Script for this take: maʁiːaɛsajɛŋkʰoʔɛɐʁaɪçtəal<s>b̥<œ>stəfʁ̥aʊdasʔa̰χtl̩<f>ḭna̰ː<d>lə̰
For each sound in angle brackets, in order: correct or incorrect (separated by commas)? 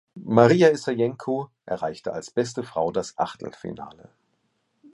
correct, incorrect, correct, incorrect